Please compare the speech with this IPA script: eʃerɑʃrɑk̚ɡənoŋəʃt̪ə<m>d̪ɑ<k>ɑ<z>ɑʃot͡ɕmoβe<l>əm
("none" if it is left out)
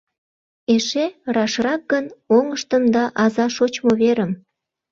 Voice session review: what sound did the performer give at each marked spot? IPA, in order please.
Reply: m, ʔ, z, ɾ

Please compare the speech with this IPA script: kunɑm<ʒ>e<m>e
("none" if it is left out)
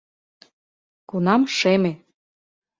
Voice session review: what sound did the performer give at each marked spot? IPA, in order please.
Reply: ʃ, m

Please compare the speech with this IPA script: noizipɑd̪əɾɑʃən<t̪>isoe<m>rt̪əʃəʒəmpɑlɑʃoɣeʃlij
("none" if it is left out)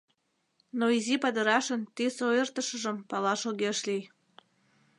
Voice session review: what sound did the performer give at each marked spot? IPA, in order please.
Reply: t̪, none

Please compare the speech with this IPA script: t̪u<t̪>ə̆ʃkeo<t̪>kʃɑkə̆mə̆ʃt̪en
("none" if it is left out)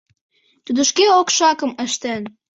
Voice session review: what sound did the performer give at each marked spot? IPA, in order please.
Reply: d̪, none

